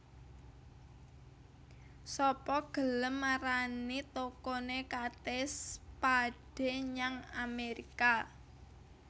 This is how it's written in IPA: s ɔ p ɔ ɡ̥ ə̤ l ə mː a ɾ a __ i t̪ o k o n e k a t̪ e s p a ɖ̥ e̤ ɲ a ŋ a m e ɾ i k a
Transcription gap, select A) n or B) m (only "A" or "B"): A